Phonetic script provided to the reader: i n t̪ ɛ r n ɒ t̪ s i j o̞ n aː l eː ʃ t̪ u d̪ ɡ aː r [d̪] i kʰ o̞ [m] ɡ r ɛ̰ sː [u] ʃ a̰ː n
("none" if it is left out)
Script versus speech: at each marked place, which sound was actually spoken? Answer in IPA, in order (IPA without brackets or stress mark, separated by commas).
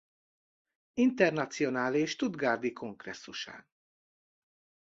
d̪, ŋ, u